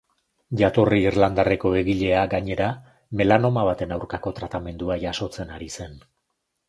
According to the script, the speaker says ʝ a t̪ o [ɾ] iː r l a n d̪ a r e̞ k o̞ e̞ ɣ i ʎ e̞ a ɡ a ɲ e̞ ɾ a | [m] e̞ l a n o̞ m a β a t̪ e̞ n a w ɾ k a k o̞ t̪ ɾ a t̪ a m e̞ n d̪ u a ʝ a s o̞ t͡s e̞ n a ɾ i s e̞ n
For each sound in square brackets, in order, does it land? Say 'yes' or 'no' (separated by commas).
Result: no, yes